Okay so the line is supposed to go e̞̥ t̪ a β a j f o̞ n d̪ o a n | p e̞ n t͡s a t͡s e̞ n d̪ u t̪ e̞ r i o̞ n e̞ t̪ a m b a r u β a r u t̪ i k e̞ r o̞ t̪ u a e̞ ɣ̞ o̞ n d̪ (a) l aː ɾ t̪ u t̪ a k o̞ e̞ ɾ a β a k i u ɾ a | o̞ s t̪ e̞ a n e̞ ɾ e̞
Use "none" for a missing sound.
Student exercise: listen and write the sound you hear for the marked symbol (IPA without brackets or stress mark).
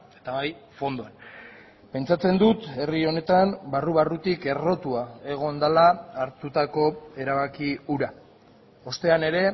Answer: a